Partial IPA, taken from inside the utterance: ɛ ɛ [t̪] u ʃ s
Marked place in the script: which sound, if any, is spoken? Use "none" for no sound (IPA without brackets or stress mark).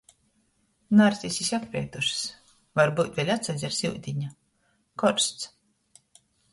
t̪